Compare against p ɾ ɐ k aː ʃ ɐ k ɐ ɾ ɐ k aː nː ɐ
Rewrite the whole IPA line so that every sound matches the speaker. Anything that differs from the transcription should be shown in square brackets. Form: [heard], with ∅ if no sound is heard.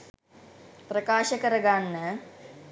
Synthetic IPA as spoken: p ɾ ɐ k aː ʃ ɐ k ɐ ɾ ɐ [ɡ] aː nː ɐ